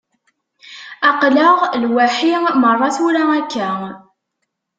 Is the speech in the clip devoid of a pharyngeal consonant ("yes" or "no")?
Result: no